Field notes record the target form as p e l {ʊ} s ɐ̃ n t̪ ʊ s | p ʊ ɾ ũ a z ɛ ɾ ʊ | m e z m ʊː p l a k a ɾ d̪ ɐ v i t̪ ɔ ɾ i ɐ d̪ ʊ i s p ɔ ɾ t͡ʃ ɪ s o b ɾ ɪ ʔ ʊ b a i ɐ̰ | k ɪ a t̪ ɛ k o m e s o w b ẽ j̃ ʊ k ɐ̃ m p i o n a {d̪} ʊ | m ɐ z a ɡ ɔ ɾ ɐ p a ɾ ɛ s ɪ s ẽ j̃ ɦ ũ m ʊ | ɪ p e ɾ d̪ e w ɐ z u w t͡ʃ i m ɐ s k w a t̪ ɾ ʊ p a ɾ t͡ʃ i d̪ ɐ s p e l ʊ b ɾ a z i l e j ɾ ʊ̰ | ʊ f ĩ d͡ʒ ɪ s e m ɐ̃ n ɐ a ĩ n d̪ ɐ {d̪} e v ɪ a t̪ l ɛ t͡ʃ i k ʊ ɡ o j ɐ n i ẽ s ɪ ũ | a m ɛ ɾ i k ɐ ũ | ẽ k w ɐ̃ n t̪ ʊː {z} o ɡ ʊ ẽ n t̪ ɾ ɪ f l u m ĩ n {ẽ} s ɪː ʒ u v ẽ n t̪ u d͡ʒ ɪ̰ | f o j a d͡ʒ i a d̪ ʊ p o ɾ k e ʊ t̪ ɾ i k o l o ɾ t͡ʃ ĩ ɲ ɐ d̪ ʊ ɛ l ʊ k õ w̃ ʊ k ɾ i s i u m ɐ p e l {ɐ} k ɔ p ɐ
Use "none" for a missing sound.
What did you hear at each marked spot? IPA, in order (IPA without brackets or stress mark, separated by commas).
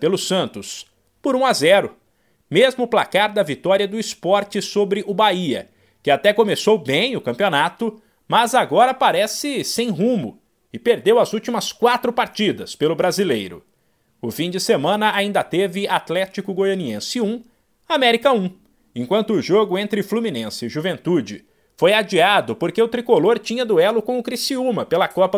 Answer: ʊ, t̪, t̪, ʒ, ẽ, ɐ